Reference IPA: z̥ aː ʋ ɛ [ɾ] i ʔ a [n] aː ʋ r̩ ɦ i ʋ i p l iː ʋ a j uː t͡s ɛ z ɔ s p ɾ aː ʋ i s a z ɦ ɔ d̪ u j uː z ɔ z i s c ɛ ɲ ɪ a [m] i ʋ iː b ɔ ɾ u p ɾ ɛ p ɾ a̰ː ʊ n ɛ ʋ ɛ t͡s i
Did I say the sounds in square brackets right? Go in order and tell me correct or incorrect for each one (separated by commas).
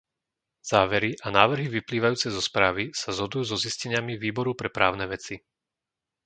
correct, correct, correct